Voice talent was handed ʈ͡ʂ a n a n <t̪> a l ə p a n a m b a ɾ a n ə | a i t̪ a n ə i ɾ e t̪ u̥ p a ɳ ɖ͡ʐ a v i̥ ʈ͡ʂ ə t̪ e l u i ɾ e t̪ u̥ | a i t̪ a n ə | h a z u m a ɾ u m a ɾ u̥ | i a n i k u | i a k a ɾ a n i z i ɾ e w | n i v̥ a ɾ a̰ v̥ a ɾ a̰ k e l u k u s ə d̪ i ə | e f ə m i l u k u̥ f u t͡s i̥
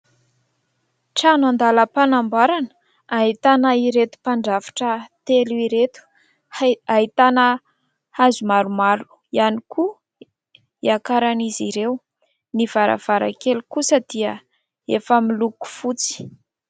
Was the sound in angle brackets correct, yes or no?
no